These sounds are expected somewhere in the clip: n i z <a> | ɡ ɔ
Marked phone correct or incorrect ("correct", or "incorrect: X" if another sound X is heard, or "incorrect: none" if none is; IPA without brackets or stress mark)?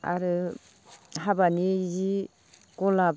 incorrect: i